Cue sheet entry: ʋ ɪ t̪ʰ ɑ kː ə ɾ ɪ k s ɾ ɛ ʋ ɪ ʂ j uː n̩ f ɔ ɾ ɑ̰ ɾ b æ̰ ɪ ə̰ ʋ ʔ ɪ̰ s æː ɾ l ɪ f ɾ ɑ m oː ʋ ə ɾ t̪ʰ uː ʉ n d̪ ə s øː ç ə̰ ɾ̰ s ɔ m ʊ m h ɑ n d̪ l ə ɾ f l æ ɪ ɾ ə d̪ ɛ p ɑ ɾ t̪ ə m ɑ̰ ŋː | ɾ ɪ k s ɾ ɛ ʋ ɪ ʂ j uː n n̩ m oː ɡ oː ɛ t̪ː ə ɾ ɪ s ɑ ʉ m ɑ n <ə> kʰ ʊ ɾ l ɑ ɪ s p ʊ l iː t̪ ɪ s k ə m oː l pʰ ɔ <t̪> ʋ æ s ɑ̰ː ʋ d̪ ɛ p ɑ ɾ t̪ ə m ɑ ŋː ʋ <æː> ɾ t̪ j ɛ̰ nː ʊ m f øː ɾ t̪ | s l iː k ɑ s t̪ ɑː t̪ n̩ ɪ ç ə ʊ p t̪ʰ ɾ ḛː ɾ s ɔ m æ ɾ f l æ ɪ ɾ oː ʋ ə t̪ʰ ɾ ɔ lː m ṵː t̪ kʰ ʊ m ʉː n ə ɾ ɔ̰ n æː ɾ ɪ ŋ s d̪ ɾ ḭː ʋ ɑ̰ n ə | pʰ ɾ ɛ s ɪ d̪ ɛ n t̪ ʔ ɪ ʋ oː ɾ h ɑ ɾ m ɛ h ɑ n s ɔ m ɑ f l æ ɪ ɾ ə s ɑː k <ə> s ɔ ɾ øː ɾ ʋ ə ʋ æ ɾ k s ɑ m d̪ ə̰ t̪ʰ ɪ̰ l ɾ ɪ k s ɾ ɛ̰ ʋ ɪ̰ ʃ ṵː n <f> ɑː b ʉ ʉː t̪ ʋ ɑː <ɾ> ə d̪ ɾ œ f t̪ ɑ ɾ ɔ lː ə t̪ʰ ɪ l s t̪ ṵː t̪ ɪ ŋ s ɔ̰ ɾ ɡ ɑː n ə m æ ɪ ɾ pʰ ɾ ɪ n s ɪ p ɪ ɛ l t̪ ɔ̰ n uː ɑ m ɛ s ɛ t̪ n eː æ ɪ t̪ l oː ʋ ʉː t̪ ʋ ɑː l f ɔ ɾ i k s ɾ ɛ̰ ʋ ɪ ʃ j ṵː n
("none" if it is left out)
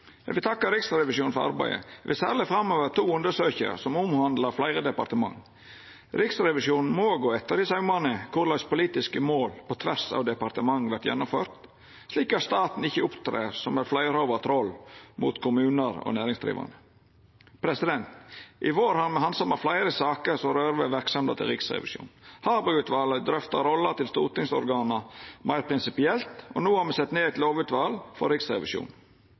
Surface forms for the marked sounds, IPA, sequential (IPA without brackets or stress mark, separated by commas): ə, t̪ʰ, æ, ə, h, l